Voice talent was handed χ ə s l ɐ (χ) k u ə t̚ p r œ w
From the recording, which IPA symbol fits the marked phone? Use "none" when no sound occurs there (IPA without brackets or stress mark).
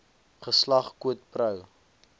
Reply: χ